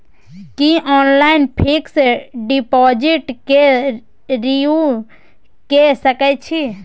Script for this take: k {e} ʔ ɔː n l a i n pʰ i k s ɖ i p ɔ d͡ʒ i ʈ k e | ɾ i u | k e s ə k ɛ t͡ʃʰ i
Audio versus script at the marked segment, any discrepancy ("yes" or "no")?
yes